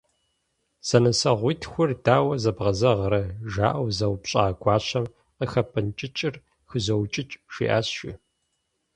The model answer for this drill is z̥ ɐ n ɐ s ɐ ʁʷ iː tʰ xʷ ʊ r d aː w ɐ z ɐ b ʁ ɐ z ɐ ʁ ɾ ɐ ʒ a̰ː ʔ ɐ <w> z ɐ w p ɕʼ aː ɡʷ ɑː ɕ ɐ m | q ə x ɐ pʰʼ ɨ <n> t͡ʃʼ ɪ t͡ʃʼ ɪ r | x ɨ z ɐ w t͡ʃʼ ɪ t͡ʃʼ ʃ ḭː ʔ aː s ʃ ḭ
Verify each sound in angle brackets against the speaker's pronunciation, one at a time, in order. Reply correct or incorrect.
correct, correct

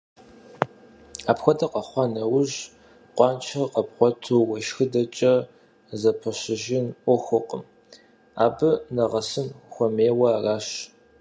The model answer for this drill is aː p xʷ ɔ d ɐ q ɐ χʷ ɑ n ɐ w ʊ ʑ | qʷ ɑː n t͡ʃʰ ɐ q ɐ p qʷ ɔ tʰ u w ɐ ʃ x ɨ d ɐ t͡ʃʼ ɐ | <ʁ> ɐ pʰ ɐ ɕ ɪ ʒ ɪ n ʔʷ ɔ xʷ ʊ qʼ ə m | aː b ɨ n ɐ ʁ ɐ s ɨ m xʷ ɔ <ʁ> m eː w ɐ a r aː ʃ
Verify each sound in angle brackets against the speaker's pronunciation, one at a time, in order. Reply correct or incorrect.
incorrect: z, incorrect: none

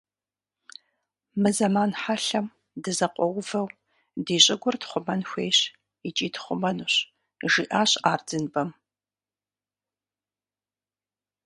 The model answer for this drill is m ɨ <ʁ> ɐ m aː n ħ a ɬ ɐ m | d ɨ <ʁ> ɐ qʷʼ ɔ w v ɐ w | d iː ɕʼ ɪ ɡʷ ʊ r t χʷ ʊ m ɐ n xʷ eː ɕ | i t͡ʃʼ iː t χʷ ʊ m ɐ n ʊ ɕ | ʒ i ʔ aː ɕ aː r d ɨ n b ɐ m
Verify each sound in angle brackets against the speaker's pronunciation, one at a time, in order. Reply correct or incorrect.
incorrect: z, incorrect: z

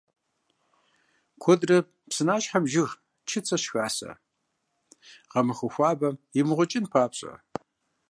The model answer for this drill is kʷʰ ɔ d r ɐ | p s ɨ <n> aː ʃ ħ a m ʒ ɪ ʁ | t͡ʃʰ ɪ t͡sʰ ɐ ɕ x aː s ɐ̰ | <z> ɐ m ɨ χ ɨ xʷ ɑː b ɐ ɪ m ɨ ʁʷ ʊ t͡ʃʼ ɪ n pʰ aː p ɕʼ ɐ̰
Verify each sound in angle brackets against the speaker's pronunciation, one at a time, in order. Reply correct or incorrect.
correct, incorrect: ʁ

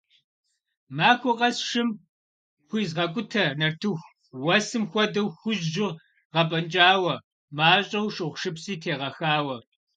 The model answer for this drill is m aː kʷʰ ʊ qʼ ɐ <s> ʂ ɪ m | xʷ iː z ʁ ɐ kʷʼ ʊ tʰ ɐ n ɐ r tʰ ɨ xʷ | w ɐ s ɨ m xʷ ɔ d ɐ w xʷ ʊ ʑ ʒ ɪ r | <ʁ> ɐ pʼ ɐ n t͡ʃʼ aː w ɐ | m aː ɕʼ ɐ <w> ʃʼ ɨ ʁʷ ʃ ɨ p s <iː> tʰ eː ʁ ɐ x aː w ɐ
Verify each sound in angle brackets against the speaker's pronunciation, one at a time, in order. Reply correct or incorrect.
correct, correct, correct, correct

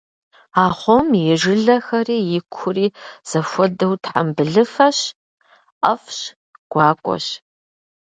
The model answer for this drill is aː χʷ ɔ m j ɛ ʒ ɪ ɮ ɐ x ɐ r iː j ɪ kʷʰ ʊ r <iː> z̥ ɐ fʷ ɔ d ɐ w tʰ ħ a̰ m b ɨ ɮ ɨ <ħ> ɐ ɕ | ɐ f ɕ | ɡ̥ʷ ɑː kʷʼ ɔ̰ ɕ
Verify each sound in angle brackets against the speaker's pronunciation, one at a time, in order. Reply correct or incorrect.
correct, incorrect: f

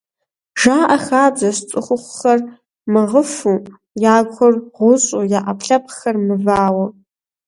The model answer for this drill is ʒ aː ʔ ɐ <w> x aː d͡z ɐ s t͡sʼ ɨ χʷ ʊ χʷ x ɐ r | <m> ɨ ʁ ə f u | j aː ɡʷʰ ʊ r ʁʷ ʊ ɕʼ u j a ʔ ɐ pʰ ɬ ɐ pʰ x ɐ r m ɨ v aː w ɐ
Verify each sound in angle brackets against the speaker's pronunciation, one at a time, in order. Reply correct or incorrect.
incorrect: none, correct

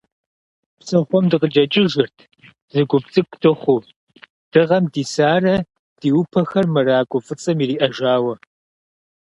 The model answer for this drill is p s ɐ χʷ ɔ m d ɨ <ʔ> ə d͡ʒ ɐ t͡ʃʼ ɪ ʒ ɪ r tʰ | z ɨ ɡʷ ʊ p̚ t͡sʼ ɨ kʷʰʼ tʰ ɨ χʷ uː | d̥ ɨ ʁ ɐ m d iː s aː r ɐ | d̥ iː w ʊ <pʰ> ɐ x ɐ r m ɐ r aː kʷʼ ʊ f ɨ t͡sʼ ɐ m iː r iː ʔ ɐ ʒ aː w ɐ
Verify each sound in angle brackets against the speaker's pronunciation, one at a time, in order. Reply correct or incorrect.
incorrect: q, correct

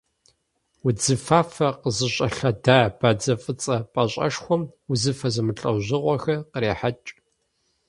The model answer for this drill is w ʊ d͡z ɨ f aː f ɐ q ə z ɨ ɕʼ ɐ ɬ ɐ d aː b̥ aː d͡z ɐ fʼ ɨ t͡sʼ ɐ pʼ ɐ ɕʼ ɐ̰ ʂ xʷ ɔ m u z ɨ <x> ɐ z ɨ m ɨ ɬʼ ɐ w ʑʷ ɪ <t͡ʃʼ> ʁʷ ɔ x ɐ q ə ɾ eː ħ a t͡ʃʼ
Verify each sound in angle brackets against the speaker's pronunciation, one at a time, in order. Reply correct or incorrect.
incorrect: f, incorrect: none

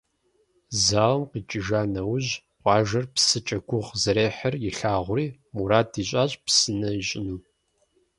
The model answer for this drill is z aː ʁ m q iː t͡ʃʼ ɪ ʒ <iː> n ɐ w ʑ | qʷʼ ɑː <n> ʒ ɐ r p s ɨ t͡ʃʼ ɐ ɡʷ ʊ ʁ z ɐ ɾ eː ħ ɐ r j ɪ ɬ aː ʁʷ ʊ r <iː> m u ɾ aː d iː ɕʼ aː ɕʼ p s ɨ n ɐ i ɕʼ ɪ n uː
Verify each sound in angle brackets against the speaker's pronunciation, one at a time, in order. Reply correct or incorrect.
incorrect: aː, incorrect: none, correct

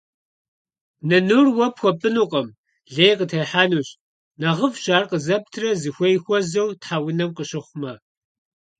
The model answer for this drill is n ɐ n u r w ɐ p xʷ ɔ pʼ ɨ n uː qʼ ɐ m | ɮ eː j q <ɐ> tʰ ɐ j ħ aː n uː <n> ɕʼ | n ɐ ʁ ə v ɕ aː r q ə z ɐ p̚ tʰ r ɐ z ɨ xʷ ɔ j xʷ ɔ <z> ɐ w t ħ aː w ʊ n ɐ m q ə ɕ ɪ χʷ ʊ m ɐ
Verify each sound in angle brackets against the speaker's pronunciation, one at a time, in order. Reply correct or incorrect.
incorrect: ə, incorrect: none, correct

